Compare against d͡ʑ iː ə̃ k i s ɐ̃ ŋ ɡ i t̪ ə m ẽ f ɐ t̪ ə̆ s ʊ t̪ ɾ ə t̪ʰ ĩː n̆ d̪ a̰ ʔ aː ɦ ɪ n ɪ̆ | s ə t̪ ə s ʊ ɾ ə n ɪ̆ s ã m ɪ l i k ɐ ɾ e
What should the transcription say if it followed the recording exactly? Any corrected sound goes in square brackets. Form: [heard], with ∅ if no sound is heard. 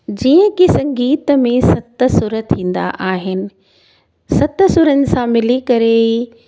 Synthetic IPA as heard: d͡ʑ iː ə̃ k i s ɐ̃ ŋ ɡ [iː] t̪ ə m ẽ [s] ɐ t̪ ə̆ s ʊ [∅] ɾ ə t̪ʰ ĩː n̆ d̪ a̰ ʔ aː ɦ ɪ n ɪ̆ | s [ɐ] t̪ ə s ʊ ɾ ə n ɪ̆ s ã m ɪ l i k ɐ ɾ e

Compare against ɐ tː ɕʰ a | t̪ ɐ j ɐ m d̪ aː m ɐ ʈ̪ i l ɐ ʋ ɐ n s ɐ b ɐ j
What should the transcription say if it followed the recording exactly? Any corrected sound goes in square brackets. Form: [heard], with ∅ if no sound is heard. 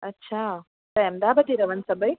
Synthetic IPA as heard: ɐ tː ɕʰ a | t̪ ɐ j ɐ m d̪ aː [b] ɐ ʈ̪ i [ɾ] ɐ ʋ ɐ n s ɐ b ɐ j

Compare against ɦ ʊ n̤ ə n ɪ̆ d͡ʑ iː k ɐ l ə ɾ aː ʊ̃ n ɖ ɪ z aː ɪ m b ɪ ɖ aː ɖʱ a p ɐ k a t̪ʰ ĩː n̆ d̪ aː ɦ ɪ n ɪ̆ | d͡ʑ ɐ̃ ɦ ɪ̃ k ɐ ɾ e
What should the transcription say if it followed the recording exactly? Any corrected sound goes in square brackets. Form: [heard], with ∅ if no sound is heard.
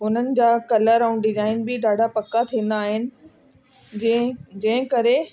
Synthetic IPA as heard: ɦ ʊ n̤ ə n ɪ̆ d͡ʑ [aː] k ɐ l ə ɾ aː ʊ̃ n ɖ ɪ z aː ɪ [n] b ɪ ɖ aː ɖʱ a p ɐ k a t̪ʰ ĩː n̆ d̪ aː ɦ ɪ n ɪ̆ | d͡ʑ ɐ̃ ɦ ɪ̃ k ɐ ɾ e

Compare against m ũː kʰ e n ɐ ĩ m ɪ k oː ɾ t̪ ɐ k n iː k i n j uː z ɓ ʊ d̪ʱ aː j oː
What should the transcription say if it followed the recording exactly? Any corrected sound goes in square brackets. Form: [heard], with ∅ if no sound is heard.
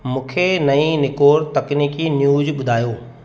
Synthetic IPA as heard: m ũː kʰ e n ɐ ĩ [n] ɪ k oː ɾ t̪ ɐ k n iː k i n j uː z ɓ ʊ d̪ʱ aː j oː

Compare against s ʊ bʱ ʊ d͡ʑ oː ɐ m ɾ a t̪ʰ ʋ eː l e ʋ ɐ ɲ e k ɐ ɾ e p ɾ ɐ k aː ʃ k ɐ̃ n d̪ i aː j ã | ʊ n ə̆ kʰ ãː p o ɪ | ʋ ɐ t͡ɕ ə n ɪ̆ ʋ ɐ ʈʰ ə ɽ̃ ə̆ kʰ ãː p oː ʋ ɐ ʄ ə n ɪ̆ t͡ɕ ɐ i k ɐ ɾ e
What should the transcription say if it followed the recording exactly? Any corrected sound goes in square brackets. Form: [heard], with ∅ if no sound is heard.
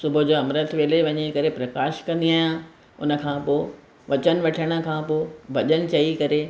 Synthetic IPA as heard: s ʊ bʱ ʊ d͡ʑ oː ɐ m ɾ [ə] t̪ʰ ʋ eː l e ʋ ɐ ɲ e k ɐ ɾ e p ɾ ɐ k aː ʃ k ɐ̃ n d̪ i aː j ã | ʊ n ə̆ kʰ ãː p o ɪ | ʋ ɐ t͡ɕ ə n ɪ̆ ʋ ɐ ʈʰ ə ɽ̃ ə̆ kʰ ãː p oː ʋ ɐ ʄ ə n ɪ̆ t͡ɕ ɐ i k ɐ ɾ e

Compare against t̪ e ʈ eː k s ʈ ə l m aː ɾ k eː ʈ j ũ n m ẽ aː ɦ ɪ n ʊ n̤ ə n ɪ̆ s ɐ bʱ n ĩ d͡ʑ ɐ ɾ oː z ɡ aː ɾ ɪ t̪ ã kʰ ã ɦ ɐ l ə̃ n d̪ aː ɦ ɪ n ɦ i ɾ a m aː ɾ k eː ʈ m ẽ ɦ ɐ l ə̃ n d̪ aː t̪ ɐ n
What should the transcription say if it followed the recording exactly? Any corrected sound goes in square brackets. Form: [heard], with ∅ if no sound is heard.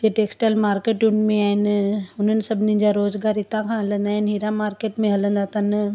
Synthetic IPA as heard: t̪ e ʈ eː k s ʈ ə l m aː ɾ k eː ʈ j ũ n m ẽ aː ɦ ɪ n ʊ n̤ ə n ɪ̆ s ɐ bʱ n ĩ d͡ʑ [a] ɾ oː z ɡ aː ɾ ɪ t̪ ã kʰ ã ɦ ɐ l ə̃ n d̪ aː ɦ ɪ n ɦ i ɾ a m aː ɾ k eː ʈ m ẽ ɦ ɐ l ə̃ n d̪ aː t̪ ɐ n

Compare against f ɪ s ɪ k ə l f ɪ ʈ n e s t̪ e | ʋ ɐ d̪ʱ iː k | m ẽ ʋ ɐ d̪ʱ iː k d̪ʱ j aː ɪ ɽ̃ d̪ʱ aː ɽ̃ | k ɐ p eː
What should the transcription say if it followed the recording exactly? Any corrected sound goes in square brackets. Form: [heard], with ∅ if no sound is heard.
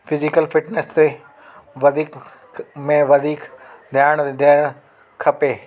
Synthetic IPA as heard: f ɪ [z] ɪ k ə l f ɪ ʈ n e s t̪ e | ʋ ɐ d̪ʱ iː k | m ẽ ʋ ɐ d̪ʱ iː k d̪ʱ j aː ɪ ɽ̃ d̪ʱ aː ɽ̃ | [kʰ] ɐ p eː

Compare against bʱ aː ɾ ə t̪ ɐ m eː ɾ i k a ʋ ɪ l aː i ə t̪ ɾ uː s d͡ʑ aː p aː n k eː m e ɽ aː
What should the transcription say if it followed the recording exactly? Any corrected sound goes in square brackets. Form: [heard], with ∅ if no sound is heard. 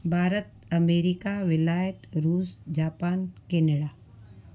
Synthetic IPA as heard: bʱ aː ɾ ə t̪ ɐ m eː ɾ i k a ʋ ɪ l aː [j] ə t̪ ɾ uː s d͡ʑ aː p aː n k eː [n] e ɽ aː

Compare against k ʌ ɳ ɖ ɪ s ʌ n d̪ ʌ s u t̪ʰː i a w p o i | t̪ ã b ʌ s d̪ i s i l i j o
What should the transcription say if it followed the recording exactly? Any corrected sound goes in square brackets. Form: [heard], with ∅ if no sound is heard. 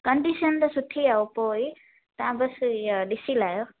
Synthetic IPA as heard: k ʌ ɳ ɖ [i] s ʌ n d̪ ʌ s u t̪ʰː i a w p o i | t̪ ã b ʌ s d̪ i s i l [a] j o

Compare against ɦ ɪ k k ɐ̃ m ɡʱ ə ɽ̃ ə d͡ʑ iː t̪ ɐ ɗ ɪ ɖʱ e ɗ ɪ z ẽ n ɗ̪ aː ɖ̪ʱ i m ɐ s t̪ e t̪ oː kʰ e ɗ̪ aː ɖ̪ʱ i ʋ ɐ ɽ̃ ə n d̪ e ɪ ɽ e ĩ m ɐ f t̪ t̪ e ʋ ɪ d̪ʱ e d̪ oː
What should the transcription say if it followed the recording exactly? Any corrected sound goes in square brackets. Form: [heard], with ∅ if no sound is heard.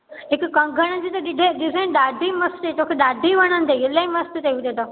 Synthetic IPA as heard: ɦ ɪ k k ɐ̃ [ŋ] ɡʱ ə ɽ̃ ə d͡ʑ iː t̪ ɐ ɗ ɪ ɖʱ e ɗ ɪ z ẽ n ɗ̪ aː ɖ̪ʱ i m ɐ s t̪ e t̪ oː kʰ e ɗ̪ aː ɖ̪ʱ i ʋ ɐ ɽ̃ ə n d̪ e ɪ [l] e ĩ m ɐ [s] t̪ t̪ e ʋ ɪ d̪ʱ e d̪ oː

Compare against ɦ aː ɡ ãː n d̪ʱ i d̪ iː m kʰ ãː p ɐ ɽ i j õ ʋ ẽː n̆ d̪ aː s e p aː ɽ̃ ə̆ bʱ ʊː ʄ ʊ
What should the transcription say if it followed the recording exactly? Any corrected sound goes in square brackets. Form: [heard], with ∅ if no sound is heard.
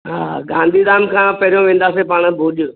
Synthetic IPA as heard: ɦ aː ɡ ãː n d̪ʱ i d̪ [aː] m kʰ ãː p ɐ [ɾ] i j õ ʋ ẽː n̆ d̪ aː s e p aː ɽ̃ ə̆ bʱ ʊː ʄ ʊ

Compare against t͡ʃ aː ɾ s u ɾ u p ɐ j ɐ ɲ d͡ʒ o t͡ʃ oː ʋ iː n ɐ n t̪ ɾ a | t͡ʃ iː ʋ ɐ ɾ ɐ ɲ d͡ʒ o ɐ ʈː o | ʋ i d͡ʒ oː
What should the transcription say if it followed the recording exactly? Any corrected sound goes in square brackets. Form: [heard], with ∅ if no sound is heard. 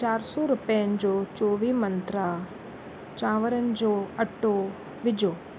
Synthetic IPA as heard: t͡ʃ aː ɾ s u ɾ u p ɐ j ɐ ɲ d͡ʒ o t͡ʃ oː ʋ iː [m] ɐ n t̪ ɾ a | t͡ʃ [aː] ʋ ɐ ɾ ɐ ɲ d͡ʒ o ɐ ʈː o | ʋ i d͡ʒ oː

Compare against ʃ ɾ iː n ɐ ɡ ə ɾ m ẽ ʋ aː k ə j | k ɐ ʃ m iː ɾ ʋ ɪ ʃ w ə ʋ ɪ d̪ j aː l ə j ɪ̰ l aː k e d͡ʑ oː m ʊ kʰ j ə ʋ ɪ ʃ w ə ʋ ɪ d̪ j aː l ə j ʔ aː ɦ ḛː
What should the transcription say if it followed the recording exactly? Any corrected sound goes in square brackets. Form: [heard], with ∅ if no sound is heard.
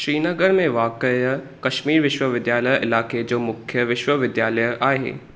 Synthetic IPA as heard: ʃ ɾ iː n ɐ ɡ ə ɾ m ẽ ʋ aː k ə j | k ɐ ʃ m iː ɾ ʋ ɪ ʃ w ə ʋ ɪ d̪ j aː l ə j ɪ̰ l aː k e d͡ʑ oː m ʊ kʰ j ə ʋ ɪ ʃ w ə ʋ ɪ d̪ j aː l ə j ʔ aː ɦ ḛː

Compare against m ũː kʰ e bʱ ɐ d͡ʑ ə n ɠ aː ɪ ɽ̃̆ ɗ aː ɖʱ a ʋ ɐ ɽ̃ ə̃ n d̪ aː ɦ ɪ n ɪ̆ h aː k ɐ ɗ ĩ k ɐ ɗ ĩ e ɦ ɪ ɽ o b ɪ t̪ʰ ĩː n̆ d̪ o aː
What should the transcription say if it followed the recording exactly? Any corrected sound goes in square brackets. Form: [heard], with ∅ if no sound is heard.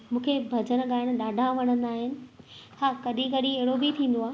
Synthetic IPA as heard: m ũː kʰ e bʱ ɐ d͡ʑ ə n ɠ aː ɪ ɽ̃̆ ɗ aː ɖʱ a ʋ ɐ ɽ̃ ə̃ n d̪ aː ɦ ɪ n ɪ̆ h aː k ɐ ɗ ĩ k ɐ ɗ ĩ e ɦ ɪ ɽ o b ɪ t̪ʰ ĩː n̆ d̪ o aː

